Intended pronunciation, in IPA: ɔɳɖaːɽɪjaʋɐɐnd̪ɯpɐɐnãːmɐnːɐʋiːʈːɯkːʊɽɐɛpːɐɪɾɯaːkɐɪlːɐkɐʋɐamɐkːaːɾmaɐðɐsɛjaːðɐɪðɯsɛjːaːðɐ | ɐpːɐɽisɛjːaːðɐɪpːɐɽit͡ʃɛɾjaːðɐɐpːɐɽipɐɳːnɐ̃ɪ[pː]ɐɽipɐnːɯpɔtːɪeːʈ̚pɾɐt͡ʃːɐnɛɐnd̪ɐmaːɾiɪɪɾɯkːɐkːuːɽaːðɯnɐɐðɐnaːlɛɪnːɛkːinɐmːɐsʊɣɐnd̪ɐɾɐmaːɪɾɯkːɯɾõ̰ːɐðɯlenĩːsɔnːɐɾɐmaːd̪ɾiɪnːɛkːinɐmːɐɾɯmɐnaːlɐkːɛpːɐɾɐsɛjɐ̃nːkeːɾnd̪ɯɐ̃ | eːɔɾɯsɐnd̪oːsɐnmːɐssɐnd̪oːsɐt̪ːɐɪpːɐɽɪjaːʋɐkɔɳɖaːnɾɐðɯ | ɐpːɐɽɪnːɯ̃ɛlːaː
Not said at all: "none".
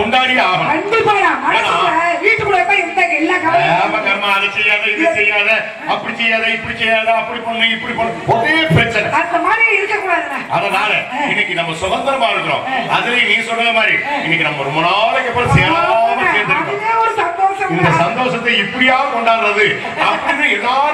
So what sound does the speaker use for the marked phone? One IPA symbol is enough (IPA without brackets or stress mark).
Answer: pː